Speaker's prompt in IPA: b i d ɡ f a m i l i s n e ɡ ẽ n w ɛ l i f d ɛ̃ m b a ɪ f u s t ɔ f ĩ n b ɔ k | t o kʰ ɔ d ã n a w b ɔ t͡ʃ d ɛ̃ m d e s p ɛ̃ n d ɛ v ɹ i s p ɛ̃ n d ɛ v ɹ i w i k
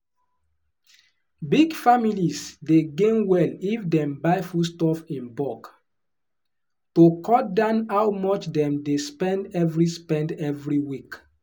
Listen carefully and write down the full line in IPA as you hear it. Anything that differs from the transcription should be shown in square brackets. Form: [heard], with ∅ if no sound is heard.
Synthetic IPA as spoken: b i [∅] ɡ f a m i l i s [d] e ɡ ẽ n w ɛ l i f d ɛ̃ m b a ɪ f u s t ɔ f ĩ n b ɔ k | t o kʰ ɔ d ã n a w [m] ɔ t͡ʃ d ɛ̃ m d e s p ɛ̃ n d ɛ v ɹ i s p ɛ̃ n d ɛ v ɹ i w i k